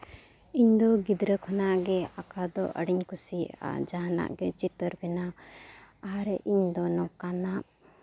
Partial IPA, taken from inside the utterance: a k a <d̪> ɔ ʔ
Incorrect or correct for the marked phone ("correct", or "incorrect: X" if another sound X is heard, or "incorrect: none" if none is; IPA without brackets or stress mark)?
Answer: correct